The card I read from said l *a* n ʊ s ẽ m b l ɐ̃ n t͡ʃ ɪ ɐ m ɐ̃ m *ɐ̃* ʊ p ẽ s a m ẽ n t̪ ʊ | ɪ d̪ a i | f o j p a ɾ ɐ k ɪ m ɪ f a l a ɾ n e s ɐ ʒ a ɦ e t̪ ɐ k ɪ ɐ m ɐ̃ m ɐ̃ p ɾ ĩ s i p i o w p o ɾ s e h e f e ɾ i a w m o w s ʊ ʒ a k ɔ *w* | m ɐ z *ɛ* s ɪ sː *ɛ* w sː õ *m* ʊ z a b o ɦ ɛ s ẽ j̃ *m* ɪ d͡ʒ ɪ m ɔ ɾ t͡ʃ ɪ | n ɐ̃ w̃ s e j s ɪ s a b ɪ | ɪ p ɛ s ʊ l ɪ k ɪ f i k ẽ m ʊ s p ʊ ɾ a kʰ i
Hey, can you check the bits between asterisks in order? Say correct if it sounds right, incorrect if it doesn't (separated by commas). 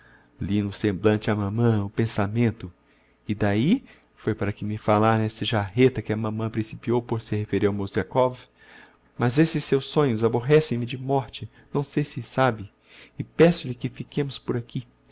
incorrect, correct, incorrect, incorrect, incorrect, incorrect, correct